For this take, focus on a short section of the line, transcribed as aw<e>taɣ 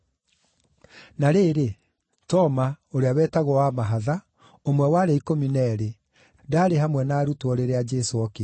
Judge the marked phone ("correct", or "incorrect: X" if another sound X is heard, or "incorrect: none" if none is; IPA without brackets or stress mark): incorrect: ɛ